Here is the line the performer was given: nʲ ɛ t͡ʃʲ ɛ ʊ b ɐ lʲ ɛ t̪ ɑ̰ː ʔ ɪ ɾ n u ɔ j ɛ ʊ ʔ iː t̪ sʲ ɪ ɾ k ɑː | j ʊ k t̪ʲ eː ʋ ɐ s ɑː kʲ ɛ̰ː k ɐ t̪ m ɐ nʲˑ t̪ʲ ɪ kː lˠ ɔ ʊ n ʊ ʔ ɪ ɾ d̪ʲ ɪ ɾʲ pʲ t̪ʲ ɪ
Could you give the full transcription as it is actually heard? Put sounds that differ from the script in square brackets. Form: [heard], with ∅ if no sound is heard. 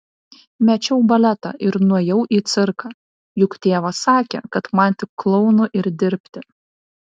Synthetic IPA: [mʲ] ɛ t͡ʃʲ ɛ ʊ b ɐ lʲ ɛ t̪ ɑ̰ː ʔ ɪ ɾ n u ɔ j ɛ ʊ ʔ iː t̪ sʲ ɪ ɾ k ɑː | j ʊ k t̪ʲ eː ʋ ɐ s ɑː kʲ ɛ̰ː k ɐ t̪ m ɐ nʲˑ t̪ʲ ɪ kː lˠ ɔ ʊ n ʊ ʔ ɪ ɾ d̪ʲ ɪ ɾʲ pʲ t̪ʲ ɪ